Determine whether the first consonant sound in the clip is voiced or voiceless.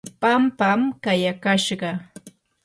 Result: voiceless